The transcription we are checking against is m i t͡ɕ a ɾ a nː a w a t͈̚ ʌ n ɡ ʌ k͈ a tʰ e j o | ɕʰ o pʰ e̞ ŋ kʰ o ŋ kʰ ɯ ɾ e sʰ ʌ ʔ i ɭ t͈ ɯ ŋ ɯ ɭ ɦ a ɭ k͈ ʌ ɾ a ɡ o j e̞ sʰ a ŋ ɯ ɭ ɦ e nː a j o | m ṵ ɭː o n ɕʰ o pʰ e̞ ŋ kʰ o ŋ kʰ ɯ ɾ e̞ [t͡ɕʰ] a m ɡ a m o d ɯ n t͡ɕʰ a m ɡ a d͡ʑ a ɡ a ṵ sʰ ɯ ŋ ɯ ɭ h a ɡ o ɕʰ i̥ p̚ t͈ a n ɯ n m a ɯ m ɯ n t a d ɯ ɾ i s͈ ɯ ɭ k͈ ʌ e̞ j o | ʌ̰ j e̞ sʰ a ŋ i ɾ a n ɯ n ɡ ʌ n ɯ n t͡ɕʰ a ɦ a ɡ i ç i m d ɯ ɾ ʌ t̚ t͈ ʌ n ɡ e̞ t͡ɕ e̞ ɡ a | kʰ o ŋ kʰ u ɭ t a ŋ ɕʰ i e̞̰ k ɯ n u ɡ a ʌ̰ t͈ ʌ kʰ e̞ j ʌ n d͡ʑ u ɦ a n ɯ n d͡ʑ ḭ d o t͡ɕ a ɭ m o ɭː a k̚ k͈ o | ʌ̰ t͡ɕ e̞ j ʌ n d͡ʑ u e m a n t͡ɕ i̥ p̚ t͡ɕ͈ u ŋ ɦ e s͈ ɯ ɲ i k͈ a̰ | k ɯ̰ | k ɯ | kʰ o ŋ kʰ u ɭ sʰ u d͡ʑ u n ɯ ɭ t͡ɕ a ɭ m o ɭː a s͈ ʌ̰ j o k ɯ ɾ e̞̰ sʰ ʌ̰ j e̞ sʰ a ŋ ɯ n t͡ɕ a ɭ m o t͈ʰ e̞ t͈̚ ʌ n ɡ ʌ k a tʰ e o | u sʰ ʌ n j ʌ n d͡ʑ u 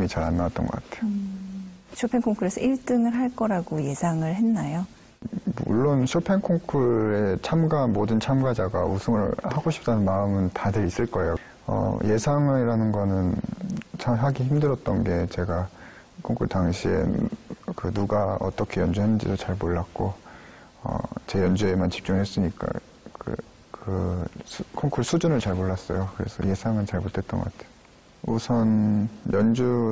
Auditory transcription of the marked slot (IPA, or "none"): t͡ɕʰ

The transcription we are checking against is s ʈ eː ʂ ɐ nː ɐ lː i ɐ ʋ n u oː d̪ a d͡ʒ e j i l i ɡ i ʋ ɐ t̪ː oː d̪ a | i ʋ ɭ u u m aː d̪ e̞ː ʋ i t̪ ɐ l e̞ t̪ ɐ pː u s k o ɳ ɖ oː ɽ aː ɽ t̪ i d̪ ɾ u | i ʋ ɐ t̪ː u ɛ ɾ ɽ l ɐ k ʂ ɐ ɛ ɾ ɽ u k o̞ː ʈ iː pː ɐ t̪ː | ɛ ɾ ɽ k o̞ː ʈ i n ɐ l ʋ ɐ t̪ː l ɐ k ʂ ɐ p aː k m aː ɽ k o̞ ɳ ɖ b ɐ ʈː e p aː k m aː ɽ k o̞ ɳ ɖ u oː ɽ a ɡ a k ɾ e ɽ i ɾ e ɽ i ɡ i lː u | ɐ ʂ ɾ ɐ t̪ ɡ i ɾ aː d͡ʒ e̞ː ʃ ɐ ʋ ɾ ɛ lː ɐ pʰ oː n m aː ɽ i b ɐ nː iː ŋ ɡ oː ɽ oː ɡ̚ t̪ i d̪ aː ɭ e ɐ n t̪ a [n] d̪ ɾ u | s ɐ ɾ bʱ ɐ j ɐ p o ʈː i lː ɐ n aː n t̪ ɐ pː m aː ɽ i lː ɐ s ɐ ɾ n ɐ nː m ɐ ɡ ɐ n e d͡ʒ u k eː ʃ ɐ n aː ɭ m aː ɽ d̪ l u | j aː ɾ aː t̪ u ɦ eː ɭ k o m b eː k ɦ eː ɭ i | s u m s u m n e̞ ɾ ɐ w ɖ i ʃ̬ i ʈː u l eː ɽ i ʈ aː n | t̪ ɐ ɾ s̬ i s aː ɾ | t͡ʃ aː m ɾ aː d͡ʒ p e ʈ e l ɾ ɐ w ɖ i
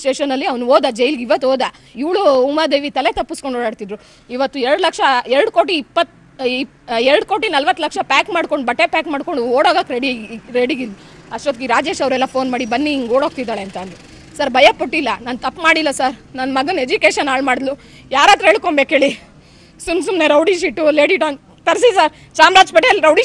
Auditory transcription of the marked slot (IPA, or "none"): n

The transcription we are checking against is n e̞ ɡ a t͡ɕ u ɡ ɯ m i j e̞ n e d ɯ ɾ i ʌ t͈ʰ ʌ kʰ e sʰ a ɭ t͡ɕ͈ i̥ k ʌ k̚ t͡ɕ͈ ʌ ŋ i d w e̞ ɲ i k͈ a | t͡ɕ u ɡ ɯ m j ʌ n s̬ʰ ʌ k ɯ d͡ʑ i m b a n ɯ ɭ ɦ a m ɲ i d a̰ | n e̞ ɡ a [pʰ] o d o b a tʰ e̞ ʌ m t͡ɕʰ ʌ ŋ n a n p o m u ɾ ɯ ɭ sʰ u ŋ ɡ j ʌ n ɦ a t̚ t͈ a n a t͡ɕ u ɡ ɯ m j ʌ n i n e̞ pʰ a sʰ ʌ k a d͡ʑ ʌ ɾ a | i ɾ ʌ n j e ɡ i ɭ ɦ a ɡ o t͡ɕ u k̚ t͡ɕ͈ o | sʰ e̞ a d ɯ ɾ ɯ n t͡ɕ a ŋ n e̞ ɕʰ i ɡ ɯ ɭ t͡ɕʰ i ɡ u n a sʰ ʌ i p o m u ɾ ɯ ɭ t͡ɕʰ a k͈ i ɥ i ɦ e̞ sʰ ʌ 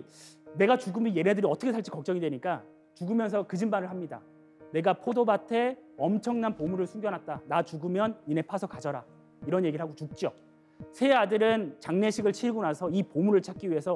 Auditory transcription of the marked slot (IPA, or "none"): pʰ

